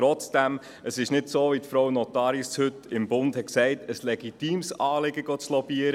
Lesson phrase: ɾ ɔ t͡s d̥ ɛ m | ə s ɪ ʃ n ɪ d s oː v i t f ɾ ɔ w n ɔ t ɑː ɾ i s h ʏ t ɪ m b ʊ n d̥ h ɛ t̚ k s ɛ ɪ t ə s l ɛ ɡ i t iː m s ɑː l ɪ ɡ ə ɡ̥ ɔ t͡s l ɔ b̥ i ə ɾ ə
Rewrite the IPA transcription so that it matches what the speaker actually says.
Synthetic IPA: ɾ ɔ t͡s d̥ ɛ m | ə s ɪ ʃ n ɪ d s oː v i t f ɾ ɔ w n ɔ t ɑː ɾ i s h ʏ t ɪ m b ʊ n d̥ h ɛ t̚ k s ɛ ɪ t ə s l ɛ ɡ i t iː m s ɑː l ɪ ɡ ə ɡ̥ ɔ t͡s l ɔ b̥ i ə ɾ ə